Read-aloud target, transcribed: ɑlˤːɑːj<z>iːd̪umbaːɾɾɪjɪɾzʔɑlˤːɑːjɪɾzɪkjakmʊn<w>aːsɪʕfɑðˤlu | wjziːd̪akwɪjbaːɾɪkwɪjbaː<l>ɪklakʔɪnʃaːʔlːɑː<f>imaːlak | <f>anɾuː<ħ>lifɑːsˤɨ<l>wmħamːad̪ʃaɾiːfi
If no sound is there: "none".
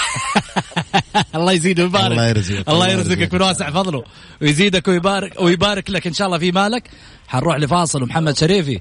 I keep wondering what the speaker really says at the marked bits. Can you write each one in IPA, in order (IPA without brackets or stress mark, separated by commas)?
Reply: z, w, ɾ, f, ħ, ħ, l